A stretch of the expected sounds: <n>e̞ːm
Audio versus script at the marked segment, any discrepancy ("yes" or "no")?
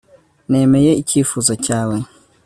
no